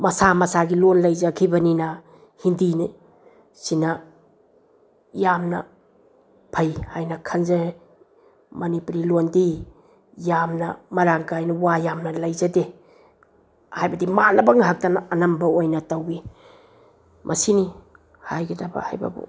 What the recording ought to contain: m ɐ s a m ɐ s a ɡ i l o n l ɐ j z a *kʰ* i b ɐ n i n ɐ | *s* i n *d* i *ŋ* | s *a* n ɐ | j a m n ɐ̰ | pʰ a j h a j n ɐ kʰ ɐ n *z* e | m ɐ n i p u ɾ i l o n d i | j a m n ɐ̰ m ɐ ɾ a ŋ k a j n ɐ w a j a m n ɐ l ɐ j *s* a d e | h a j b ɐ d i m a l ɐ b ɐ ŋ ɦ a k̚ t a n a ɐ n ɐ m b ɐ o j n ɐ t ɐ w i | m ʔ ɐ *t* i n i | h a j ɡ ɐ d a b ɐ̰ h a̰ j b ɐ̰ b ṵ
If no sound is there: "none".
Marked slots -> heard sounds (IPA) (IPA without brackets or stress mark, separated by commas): kʰ, h, d, n, i, z, z, s